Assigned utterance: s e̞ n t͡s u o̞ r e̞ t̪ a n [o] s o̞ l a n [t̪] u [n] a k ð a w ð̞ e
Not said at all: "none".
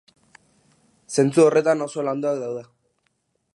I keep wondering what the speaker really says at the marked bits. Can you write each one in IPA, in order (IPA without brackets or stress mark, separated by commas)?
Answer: o, d̪, none